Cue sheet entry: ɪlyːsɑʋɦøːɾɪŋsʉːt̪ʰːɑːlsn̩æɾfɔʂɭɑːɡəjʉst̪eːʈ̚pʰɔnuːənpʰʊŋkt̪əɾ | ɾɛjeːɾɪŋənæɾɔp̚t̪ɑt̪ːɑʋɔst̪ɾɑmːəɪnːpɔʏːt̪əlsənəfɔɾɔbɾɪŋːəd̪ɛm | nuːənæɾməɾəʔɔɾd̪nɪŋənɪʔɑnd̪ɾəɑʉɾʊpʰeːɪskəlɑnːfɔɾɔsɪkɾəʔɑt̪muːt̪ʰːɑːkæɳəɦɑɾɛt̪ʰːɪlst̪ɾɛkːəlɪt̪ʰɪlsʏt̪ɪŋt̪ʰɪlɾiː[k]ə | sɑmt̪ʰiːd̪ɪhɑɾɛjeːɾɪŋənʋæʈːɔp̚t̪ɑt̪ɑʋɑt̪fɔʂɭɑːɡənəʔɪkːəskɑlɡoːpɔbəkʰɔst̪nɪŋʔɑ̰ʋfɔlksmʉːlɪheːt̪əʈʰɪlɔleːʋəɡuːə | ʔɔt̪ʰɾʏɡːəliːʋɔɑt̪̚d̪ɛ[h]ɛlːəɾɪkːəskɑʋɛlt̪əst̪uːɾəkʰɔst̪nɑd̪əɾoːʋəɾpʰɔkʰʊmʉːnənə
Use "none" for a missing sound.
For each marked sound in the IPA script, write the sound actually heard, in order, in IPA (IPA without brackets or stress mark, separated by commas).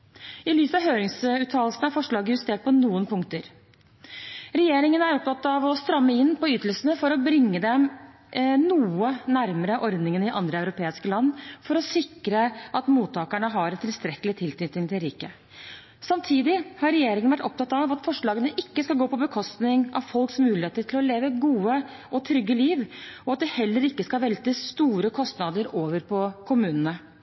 k, h